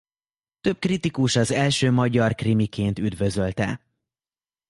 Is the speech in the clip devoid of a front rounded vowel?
no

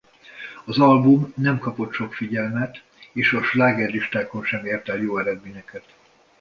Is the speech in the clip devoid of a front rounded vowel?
yes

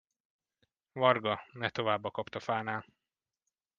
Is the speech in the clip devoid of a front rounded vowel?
yes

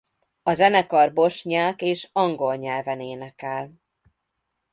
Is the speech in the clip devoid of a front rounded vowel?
yes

